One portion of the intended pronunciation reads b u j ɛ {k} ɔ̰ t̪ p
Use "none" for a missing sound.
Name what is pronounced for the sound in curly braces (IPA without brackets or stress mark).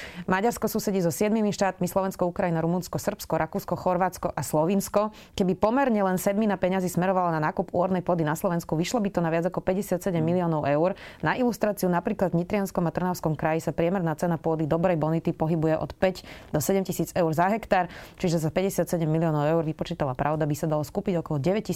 ʔ